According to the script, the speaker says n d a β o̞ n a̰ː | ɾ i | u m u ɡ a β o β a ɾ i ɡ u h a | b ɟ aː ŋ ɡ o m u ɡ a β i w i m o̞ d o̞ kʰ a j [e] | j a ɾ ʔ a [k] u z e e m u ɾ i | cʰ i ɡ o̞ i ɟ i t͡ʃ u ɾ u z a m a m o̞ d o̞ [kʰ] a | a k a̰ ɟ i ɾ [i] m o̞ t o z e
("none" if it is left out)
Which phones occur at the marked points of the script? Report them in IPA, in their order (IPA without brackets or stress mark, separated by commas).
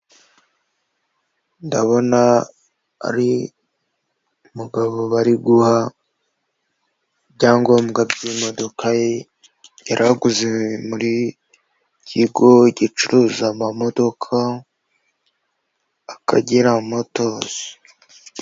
e, ɡ, kʰ, a